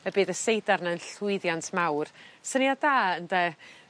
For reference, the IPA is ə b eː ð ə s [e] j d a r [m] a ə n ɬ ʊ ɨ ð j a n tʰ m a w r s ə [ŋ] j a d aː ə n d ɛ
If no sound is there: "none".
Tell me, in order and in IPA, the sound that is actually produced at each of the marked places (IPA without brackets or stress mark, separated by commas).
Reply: e, n, n